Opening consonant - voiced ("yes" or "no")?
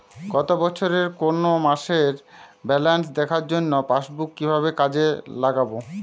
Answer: yes